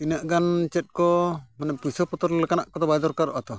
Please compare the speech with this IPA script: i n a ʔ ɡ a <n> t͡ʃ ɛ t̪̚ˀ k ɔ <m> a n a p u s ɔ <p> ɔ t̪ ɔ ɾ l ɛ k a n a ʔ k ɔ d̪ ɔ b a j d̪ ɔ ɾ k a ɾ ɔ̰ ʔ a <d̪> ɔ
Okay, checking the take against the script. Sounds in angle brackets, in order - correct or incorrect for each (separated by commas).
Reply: correct, correct, correct, incorrect